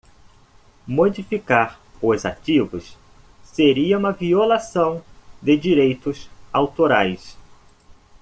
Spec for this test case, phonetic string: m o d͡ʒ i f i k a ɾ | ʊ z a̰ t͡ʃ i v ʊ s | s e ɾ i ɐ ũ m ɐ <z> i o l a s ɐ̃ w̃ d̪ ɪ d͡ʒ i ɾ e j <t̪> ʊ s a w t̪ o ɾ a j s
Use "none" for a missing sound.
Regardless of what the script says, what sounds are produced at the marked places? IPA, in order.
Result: v, t̪

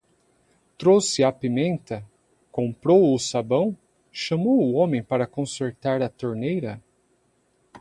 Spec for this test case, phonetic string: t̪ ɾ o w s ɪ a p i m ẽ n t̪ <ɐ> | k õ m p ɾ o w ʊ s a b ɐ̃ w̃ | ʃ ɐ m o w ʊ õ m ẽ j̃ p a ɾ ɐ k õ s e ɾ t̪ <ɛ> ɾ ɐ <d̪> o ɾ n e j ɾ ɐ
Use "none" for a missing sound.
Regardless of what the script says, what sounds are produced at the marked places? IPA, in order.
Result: ɐ, a, t̪

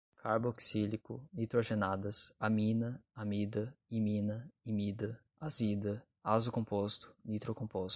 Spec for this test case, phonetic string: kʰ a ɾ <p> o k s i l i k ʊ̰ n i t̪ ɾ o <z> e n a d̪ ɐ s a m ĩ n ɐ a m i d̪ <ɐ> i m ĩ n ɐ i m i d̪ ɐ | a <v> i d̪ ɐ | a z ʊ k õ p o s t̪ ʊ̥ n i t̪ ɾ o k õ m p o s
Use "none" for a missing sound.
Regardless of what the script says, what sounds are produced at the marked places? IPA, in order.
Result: b, ʒ, ɐ, z

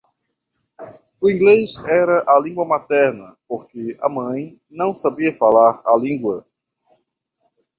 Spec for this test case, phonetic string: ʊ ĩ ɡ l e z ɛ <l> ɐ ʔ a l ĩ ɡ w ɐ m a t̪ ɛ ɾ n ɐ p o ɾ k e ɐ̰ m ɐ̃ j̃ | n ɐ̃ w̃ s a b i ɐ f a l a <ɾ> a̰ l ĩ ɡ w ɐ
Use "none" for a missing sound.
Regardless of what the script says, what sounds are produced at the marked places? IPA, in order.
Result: ɾ, ɾ

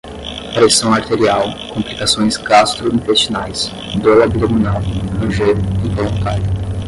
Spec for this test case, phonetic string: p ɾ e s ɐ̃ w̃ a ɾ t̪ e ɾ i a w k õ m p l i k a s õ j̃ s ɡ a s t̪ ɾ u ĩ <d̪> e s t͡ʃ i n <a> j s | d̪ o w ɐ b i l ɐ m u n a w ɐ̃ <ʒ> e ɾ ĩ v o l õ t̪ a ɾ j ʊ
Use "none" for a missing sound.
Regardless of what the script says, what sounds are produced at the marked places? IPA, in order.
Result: t̪, a, ʒ

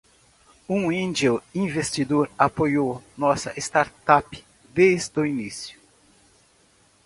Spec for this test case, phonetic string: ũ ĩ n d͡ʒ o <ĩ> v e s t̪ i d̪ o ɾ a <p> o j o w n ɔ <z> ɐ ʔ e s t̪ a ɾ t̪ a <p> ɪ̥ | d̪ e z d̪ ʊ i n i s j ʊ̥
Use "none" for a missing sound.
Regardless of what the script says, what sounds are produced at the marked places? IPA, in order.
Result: ĩ, p, s, p

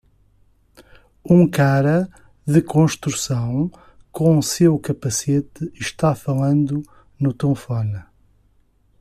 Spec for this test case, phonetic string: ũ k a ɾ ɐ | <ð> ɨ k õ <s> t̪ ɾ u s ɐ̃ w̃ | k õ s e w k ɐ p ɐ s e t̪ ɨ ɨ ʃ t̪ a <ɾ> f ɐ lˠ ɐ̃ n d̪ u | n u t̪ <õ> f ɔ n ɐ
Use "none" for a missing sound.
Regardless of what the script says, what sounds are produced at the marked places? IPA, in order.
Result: ð, ʃ, none, õ

